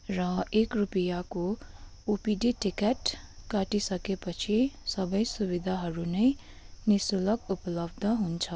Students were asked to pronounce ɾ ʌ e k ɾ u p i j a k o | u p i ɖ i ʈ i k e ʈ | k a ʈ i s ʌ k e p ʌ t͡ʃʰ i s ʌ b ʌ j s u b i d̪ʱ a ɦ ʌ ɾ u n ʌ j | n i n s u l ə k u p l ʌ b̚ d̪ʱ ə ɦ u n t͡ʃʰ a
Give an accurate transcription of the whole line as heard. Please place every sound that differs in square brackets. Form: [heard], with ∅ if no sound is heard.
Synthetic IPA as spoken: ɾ ʌ e k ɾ u p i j a k o | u p i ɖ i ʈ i k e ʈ | k a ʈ i s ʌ k e p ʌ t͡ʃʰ i s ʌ b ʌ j s u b i d̪ʱ a ɦ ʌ ɾ u n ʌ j | n i [∅] s u l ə k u p l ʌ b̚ d̪ʱ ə ɦ u n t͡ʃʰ [ʌ]